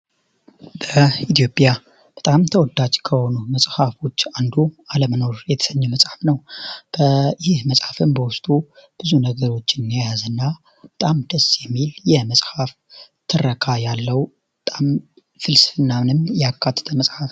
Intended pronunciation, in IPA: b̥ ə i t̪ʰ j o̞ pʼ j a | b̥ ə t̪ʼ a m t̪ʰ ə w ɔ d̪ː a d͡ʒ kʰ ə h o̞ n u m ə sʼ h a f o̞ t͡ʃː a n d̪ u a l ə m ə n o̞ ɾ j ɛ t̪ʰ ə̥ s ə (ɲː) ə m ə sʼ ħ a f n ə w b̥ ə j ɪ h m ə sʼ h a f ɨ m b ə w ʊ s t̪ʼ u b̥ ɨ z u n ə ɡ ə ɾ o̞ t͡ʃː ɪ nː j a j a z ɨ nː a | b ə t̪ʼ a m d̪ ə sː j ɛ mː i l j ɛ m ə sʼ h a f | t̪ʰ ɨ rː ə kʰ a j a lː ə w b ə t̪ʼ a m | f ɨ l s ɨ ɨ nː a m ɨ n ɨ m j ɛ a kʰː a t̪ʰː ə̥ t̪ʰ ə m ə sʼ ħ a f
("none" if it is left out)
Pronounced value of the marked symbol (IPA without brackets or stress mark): ɲː